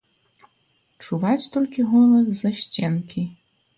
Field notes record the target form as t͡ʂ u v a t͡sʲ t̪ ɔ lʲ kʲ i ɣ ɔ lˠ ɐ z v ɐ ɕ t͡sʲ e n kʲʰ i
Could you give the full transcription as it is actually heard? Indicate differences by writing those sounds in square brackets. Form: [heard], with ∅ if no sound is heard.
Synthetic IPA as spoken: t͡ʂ u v a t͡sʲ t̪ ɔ lʲ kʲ i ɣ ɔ lˠ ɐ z [z] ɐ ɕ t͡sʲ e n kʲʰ i

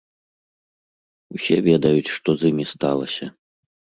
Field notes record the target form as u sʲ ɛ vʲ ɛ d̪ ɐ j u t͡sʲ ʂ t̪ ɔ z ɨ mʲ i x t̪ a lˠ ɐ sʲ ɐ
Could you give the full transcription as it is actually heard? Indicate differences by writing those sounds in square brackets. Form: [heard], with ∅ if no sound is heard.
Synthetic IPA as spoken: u sʲ ɛ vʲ ɛ d̪ ɐ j u t͡sʲ ʂ t̪ ɔ z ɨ mʲ i [s] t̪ a lˠ ɐ sʲ ɐ

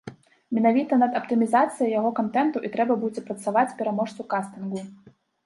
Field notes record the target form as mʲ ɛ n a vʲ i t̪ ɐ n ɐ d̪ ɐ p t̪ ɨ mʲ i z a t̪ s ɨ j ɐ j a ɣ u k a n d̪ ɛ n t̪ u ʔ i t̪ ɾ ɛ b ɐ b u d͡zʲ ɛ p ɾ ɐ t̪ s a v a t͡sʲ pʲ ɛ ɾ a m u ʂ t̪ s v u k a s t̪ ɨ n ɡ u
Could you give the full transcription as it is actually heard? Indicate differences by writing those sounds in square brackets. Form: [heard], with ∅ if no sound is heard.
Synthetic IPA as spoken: mʲ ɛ n a vʲ i t̪ ɐ n ɐ d̪ ɐ p t̪ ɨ mʲ i z a t̪ s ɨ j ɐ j a ɣ [ɔ] k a n [t̪] ɛ n t̪ u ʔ i t̪ ɾ ɛ b ɐ b u d͡zʲ ɛ p ɾ ɐ t̪ s a v a t͡sʲ pʲ ɛ ɾ a m [ɔ] ʂ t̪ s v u k a s t̪ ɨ n ɡ u

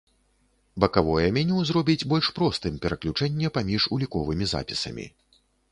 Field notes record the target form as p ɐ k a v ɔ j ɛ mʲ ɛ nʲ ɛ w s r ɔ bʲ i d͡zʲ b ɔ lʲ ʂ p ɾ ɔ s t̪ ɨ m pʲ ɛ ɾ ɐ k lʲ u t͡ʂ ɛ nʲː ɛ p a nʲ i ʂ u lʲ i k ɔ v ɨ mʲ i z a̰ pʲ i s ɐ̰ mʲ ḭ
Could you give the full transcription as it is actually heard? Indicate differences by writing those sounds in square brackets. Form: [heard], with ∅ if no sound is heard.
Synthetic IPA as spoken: [b] ɐ k a v ɔ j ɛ mʲ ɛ nʲ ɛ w [z] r ɔ bʲ i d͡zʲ b ɔ lʲ ʂ p ɾ ɔ s t̪ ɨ m pʲ ɛ ɾ ɐ k lʲ u t͡ʂ ɛ nʲː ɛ p a [mʲ] i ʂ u lʲ i k ɔ v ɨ mʲ i z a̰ pʲ i s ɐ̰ mʲ ḭ

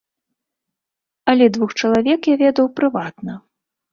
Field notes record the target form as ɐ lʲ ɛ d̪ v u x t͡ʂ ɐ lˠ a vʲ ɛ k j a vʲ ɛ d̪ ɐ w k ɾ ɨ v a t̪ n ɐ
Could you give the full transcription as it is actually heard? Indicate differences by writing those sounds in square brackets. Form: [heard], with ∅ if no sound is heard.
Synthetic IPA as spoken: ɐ lʲ ɛ d̪ v u x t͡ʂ ɐ lˠ a vʲ ɛ k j a vʲ ɛ d̪ ɐ w [p] ɾ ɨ v a t̪ n ɐ

